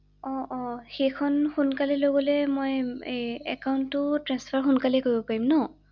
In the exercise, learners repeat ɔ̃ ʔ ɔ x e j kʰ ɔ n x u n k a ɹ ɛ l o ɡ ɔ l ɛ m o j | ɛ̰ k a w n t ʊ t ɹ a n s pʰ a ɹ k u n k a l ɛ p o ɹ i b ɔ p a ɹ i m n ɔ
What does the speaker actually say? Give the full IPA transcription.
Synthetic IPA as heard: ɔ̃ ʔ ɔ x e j kʰ ɔ n x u n k a l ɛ l o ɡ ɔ l ɛ m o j | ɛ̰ k a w n t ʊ t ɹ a n s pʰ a ɹ x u n k a l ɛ k o ɹ i b ɔ p a ɹ i m n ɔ